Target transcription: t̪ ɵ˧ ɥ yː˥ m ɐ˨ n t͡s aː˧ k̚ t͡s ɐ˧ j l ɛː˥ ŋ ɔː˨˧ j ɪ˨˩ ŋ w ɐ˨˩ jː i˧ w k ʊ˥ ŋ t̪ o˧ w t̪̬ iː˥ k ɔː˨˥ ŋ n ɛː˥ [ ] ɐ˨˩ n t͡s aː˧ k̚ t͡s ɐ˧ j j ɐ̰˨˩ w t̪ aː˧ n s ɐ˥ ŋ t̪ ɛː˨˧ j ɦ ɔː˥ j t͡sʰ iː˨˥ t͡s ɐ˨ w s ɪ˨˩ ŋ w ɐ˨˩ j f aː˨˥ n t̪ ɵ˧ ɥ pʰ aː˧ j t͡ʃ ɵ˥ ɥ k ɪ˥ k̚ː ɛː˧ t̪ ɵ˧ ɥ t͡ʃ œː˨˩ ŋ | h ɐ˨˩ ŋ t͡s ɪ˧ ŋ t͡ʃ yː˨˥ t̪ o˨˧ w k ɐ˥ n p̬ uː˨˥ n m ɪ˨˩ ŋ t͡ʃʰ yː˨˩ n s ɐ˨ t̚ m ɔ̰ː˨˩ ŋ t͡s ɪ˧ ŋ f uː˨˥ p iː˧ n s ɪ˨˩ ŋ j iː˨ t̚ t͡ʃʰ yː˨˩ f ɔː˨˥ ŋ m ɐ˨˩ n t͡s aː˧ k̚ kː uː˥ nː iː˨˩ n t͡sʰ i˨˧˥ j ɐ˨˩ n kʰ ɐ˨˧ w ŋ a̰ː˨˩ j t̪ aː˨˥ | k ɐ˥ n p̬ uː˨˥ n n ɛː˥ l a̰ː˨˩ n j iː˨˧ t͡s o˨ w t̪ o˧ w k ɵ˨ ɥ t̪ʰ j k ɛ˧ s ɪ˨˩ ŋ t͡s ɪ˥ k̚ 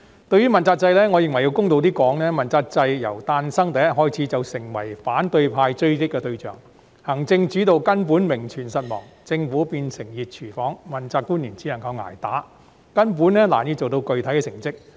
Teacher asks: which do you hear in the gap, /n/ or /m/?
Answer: m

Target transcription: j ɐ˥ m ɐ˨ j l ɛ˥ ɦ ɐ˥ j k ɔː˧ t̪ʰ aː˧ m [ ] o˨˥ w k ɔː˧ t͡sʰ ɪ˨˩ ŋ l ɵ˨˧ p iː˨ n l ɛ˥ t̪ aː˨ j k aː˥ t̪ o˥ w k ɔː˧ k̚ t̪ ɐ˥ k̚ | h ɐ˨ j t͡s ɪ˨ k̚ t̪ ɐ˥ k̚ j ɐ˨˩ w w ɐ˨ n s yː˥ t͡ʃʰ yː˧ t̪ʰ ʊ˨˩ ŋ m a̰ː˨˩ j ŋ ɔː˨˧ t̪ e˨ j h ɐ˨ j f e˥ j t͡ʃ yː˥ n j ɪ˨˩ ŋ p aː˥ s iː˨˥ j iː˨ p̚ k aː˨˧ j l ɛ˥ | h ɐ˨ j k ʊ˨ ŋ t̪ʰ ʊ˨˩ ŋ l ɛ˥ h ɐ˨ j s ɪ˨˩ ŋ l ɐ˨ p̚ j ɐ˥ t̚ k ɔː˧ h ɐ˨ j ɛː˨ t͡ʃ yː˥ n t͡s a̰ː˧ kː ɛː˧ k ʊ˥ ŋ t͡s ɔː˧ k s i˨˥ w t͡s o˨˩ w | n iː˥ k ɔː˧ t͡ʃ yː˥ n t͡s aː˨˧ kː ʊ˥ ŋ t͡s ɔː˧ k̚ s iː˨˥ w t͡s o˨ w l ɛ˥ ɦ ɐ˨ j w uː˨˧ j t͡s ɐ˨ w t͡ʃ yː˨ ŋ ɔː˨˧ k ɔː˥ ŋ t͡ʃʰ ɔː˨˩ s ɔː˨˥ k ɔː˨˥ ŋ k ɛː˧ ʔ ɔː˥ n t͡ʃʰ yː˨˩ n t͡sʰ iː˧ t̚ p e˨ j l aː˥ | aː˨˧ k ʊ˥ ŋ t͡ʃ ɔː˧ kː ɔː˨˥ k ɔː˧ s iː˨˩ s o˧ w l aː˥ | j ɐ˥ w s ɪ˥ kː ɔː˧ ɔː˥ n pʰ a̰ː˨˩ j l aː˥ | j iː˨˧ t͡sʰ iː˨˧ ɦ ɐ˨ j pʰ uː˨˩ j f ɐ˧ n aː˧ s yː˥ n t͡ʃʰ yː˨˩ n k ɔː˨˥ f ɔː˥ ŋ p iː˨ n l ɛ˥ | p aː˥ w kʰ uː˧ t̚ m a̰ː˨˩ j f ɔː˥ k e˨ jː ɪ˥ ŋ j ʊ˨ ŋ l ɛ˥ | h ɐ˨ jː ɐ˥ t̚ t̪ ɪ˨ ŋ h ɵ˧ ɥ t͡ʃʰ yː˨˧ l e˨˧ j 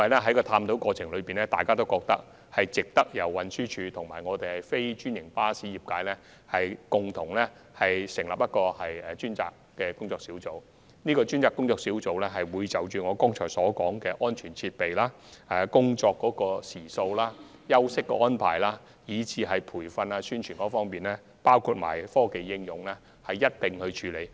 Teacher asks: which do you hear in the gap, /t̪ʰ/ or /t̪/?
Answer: t̪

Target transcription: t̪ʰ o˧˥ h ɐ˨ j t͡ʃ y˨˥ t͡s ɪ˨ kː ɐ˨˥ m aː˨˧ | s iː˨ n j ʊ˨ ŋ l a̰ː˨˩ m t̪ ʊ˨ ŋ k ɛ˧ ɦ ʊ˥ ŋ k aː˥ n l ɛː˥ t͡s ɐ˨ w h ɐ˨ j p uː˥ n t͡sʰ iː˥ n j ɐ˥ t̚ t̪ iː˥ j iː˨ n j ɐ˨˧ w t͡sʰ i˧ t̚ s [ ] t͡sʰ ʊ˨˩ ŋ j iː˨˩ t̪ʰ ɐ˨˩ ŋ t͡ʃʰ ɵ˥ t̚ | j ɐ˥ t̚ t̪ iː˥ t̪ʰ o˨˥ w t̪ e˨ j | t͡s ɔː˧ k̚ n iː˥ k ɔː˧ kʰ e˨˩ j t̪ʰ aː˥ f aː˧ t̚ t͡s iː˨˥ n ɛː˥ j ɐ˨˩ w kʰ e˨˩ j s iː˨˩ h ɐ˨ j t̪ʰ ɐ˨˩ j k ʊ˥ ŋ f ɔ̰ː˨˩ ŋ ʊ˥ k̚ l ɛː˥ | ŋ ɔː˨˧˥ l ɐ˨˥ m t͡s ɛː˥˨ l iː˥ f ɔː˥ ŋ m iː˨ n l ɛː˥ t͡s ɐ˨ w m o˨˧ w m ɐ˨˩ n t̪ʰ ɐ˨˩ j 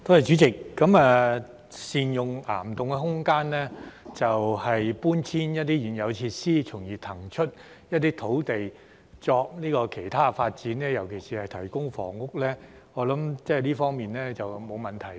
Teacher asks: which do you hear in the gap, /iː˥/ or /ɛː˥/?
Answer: iː˥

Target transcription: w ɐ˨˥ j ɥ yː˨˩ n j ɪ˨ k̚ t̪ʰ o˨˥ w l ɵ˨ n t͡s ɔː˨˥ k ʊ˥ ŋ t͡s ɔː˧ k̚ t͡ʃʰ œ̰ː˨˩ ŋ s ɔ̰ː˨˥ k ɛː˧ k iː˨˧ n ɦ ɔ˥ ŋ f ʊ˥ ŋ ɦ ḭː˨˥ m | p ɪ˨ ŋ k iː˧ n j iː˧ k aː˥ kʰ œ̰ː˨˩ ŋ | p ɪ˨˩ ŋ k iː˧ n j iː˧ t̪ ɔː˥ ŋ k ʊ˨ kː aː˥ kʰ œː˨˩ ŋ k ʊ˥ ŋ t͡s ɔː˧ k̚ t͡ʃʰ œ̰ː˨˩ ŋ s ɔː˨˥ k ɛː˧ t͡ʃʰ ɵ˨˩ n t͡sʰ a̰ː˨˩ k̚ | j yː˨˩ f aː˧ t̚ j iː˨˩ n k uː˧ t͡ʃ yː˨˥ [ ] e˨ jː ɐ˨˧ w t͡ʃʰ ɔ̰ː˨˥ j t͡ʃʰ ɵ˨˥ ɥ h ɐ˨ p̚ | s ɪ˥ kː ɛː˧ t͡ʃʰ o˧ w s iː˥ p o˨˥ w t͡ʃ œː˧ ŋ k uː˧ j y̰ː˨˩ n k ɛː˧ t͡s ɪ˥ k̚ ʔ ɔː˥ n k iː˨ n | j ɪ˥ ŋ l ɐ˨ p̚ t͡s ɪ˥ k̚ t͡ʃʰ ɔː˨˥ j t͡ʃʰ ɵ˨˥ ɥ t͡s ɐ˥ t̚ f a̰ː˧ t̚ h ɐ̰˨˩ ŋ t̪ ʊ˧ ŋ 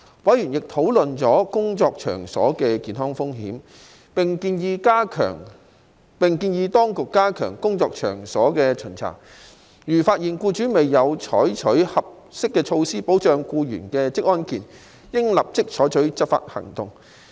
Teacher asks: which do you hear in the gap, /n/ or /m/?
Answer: m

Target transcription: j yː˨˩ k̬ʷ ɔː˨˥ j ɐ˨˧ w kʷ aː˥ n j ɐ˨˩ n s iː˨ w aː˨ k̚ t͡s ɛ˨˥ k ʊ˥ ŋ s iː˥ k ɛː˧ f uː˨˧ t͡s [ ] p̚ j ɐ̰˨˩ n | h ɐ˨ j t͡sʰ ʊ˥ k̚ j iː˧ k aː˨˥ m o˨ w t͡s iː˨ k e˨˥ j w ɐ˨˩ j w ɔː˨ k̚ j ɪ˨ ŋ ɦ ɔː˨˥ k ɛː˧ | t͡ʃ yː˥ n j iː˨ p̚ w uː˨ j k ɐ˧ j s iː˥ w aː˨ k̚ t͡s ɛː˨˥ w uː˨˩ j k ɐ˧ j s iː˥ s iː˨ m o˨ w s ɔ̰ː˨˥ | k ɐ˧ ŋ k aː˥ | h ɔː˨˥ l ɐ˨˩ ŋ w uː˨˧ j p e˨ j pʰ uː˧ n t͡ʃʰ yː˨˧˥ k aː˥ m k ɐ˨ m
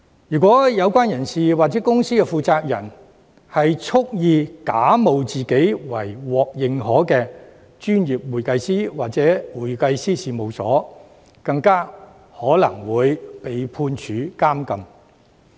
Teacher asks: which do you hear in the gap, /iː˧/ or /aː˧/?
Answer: aː˧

